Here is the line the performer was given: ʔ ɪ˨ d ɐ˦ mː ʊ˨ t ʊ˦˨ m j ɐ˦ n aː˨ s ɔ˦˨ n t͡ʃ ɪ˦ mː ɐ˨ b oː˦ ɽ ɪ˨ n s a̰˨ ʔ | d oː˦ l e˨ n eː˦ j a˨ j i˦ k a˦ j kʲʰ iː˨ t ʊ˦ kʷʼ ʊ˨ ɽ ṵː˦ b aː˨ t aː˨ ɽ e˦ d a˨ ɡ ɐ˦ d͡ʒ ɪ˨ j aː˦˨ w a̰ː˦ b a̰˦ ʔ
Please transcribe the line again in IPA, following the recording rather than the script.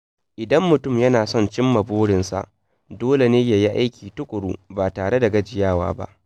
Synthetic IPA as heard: ʔ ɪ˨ d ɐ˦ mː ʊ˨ t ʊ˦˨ m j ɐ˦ n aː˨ s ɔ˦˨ n t͡ʃ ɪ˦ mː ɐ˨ b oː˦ ɽ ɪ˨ n s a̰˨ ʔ | d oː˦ l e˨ n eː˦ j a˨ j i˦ ʔ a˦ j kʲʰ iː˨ t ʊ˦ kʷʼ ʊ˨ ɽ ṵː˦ b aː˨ t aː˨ ɽ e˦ d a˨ ɡ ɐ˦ d͡ʒ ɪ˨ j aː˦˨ w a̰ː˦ b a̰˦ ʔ